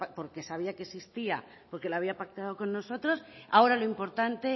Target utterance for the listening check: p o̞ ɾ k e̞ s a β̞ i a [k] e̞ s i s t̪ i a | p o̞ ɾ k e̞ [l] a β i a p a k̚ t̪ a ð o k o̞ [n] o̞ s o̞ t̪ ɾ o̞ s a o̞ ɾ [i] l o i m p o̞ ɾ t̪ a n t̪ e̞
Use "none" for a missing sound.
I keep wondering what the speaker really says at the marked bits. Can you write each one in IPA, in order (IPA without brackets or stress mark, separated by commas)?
k, l, nː, a